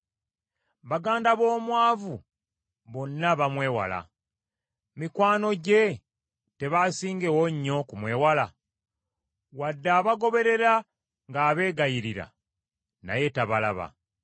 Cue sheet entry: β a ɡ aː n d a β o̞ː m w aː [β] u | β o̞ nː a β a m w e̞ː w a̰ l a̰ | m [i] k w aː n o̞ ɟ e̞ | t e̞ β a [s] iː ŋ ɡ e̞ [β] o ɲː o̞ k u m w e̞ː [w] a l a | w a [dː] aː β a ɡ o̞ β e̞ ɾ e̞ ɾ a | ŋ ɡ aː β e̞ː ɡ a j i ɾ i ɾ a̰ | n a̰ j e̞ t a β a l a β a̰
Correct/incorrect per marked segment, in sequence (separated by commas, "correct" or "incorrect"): incorrect, correct, correct, incorrect, correct, correct